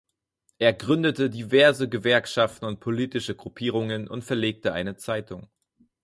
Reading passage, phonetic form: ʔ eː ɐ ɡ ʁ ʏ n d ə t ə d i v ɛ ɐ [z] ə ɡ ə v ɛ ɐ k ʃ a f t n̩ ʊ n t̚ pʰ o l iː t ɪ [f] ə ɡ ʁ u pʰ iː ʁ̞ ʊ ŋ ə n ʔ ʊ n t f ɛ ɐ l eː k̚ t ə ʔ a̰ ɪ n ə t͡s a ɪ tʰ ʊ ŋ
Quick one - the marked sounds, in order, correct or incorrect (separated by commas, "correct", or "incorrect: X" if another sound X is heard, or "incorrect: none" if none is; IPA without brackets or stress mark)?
correct, incorrect: ʃ